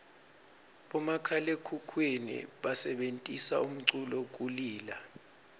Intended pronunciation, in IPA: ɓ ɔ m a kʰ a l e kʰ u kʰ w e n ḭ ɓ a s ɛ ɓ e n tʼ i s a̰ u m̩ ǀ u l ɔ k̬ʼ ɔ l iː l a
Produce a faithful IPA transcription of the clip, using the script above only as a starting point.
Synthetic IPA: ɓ ɔ m a kʰ a l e kʰ u kʰ w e n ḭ ɓ a s ɛ ɓ e n tʼ i s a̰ u m̩ ǀ u l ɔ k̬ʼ u l iː l a

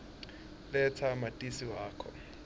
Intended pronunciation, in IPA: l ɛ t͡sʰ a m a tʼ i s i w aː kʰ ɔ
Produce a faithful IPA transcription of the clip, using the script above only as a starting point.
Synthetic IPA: l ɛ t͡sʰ a m a tʼ i s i w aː kʰ ɔ

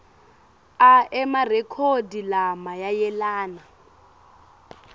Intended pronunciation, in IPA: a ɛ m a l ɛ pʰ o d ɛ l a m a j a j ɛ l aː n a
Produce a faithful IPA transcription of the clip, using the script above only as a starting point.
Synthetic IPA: a ɛ m a r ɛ kʰ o d i l a m a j a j ɛ l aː n a

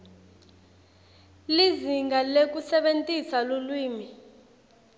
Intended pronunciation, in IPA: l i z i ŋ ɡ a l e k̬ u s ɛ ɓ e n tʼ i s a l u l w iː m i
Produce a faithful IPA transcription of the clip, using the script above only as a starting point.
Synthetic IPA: l i z i ŋ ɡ a l e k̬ u s ɛ ɓ e n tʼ i s a l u l w iː m i

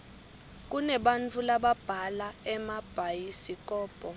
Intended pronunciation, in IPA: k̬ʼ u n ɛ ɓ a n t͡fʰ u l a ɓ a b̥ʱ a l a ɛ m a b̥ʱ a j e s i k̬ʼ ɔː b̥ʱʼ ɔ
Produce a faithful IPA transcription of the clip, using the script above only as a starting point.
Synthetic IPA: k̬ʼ u n ɛ ɓ a n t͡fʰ u l a ɓ a b̥ʱ a l a ɛ m a b̥ʱ a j i s i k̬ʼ ɔː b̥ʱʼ ɔ

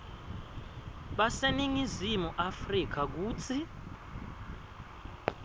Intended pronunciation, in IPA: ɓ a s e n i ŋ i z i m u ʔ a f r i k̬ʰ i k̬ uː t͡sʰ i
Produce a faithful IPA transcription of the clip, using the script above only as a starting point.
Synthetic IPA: ɓ a s e n i ŋ i z i m u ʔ a f r i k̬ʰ a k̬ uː t͡sʰ i

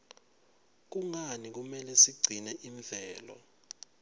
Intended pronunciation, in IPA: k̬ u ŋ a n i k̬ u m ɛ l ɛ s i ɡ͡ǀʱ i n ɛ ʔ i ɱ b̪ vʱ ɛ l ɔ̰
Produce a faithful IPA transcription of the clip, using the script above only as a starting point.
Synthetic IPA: k̬ u ŋ a n i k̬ u m ɛ l ɛ s i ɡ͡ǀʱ i n ɛ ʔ i ɱ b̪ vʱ ɛː l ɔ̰

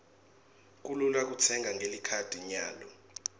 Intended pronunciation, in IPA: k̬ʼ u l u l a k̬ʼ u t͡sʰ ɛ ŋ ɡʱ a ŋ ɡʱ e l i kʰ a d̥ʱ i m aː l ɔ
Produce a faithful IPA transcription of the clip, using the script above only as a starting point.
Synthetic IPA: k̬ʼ u l u l a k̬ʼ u t͡sʰ ɛ ŋ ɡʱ a ŋ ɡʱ e l i kʰ a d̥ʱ i ɲ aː l ɔ

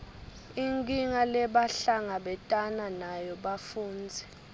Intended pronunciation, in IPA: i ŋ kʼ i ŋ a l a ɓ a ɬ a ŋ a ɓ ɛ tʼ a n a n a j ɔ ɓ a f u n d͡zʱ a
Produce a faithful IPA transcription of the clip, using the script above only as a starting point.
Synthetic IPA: i ŋ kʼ i ŋ a l ɛ ɓ a ɬ a ŋ a ɓ ɛ tʼ a n a n a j ɔ ɓ a f uː n d͡zʱ ɛ

